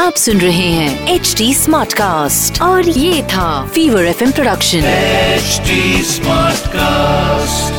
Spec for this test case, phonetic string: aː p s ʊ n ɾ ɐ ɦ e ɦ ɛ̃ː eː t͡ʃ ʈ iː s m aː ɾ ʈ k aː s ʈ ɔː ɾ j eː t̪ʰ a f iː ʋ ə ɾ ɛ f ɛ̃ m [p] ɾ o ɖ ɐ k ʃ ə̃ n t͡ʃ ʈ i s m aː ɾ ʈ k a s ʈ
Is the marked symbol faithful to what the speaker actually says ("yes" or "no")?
yes